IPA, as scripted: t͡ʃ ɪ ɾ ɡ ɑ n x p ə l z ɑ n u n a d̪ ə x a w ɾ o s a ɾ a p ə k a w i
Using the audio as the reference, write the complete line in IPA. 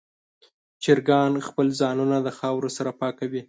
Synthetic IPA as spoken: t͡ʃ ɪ ɾ ɡ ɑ n x p ə l z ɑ n u n a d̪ ə x ɑ w ɾ o s a ɾ a p ɑ k a w i